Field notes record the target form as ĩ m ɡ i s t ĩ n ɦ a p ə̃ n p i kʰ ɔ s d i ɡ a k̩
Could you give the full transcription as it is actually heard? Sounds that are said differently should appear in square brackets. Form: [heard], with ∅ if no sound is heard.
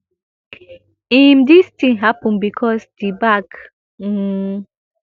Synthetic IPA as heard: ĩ m [d] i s t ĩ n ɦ a p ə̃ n [b] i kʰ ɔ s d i [b] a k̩